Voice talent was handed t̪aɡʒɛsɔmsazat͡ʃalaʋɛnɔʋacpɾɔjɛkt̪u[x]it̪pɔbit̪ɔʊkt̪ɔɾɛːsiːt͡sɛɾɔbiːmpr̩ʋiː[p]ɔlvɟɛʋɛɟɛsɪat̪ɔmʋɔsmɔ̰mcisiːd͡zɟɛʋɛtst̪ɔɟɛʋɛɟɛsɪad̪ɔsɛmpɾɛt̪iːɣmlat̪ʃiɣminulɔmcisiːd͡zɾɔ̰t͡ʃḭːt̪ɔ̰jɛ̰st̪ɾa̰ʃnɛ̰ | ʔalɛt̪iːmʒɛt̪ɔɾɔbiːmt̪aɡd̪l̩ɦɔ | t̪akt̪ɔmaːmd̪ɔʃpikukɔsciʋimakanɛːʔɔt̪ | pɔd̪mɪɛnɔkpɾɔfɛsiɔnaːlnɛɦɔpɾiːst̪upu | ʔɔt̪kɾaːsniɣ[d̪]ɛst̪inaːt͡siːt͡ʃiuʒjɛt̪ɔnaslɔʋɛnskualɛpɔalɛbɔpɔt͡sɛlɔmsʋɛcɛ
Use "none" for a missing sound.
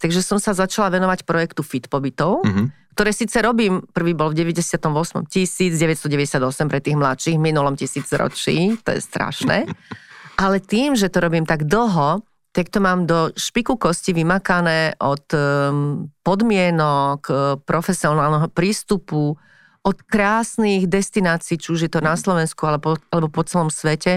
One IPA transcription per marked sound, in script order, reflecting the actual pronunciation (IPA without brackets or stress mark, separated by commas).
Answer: f, b, d̪